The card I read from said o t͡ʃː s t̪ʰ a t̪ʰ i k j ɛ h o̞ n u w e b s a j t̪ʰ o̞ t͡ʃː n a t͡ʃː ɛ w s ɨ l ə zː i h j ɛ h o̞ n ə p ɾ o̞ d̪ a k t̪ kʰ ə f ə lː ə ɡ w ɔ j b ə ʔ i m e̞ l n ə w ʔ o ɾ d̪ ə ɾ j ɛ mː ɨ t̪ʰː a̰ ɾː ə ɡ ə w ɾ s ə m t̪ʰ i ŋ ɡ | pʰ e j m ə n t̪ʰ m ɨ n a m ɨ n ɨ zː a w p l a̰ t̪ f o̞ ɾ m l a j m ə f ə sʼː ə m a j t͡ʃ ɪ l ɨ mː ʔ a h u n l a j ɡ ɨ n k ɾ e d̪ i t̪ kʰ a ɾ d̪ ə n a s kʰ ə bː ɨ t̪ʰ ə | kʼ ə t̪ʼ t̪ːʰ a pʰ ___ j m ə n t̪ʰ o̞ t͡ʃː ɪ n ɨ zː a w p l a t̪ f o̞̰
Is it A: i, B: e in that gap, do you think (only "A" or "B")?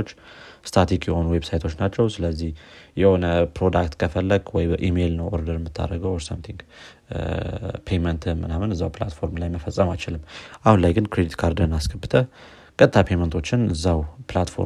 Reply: B